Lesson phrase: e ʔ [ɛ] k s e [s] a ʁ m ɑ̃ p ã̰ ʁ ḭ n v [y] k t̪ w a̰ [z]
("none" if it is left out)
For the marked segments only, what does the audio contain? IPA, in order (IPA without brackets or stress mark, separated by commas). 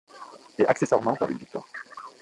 a, s, i, ʁ